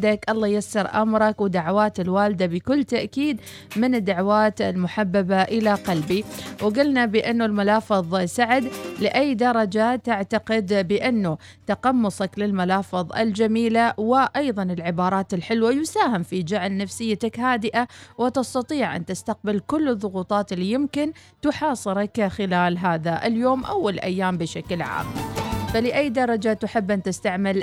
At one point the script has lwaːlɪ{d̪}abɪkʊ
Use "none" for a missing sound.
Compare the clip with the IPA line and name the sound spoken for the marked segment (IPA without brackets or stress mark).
d̪